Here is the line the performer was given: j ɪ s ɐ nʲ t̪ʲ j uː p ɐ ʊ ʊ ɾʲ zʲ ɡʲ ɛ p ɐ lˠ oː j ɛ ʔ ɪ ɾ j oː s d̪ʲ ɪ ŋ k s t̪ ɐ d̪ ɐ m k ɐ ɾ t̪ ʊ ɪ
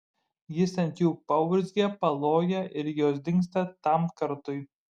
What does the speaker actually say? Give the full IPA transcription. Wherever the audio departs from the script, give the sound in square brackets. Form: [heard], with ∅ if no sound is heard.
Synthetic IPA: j ɪ s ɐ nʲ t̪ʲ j uː p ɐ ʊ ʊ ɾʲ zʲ ɡʲ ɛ p ɐ lˠ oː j ɛ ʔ ɪ ɾ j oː s d̪ʲ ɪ ŋ k s t̪ ɐ [t̪] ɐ m k ɐ ɾ t̪ ʊ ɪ